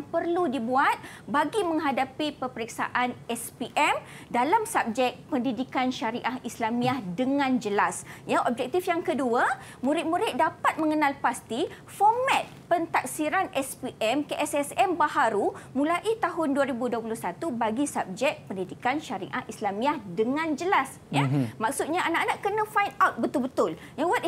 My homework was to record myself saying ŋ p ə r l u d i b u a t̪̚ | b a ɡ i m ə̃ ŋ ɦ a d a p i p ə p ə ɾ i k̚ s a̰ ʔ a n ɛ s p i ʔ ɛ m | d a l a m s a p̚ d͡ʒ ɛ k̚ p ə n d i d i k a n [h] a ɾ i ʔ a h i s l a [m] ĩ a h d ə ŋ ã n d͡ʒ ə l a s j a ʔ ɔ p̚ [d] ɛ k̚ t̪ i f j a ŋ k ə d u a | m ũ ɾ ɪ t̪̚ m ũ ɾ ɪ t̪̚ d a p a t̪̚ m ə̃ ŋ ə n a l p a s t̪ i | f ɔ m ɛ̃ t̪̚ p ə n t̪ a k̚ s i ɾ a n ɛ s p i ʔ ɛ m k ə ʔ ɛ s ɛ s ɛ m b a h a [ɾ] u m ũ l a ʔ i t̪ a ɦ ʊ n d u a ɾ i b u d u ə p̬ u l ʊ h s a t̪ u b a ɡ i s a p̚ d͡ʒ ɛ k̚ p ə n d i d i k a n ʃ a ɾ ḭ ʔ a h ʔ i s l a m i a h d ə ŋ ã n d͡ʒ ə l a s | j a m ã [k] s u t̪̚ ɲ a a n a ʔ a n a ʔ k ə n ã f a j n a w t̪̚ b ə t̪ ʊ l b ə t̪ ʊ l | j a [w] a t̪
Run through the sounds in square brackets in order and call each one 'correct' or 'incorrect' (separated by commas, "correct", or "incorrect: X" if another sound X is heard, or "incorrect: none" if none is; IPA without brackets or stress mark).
incorrect: ʃ, correct, incorrect: d͡ʒ, correct, correct, correct